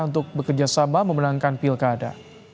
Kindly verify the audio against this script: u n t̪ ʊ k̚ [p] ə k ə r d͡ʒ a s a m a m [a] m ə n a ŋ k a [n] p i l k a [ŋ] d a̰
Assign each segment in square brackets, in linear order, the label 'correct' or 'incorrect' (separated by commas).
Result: incorrect, incorrect, correct, incorrect